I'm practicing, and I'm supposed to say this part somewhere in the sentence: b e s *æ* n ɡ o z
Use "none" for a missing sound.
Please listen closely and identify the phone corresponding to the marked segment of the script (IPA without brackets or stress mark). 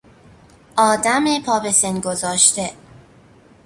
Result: e